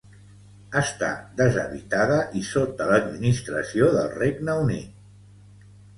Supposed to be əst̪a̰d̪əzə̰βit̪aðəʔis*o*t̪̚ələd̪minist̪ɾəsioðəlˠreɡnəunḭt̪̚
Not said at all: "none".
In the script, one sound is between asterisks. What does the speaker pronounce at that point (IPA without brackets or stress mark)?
o